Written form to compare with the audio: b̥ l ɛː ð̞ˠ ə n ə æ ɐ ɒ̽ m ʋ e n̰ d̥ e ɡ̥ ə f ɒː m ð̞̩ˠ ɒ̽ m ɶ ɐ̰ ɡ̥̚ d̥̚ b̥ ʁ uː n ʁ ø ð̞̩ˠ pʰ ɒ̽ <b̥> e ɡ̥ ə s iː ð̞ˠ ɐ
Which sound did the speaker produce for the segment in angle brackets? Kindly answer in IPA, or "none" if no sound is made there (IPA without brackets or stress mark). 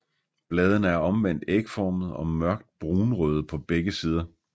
b̥